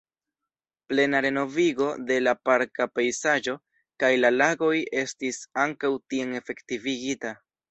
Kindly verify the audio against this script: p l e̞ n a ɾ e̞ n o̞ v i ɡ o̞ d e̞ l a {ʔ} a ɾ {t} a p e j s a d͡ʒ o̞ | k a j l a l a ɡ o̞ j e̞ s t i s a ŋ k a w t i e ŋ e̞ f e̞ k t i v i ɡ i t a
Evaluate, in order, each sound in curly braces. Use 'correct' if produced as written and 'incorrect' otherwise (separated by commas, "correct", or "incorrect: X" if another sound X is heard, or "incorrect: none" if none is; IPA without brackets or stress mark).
incorrect: p, incorrect: k